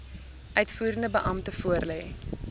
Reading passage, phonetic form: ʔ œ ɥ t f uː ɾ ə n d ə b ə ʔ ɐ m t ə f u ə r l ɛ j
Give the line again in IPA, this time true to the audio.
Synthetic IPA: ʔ œ ɥ t f uː ɾ ə n d ə b ə ʔ ɐ m t ə f u ə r l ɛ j